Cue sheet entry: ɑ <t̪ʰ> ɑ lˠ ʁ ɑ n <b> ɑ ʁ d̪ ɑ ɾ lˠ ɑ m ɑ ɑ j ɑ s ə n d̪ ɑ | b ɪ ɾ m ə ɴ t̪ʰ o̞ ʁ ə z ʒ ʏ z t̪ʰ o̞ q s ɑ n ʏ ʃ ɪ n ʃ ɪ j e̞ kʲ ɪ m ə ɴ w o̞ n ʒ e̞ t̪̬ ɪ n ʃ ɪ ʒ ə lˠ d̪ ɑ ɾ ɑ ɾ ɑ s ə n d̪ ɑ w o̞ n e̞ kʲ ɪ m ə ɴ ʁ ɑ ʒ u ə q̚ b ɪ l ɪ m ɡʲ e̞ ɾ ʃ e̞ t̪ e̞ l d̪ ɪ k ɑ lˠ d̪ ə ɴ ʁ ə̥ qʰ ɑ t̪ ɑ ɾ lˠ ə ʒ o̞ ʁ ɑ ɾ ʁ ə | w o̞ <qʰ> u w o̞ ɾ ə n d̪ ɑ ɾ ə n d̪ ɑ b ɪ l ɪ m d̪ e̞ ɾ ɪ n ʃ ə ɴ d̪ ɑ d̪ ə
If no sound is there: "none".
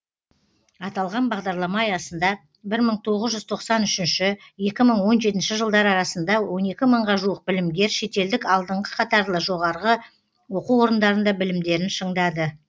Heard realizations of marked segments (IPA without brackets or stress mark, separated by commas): t̪, b, q